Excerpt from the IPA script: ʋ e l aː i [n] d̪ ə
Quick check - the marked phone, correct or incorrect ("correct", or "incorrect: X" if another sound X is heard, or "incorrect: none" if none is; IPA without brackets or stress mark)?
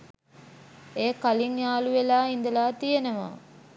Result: correct